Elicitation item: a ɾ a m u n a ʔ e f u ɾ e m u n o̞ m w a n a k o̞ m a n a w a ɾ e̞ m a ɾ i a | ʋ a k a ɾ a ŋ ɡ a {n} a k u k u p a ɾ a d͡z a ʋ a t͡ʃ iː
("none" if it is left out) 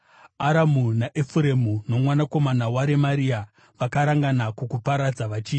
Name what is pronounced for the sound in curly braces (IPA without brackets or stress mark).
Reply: n